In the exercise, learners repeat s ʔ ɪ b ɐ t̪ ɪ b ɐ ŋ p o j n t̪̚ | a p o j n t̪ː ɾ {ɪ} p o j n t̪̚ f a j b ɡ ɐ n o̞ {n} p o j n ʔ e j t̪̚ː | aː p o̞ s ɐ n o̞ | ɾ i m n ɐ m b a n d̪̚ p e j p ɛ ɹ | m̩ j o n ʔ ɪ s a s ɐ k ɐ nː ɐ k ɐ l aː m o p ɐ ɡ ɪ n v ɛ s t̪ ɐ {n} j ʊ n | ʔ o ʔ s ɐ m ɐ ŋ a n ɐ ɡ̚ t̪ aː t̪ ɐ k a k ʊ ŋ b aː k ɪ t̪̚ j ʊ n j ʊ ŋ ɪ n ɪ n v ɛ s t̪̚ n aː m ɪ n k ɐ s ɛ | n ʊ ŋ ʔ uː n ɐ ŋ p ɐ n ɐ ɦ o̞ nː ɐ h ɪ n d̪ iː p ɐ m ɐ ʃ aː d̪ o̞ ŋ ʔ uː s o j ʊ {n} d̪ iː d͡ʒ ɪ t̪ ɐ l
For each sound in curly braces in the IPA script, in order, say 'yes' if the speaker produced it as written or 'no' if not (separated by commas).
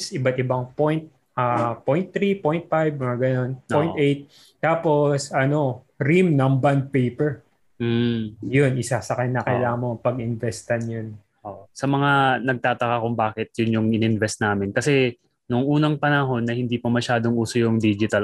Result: no, yes, yes, no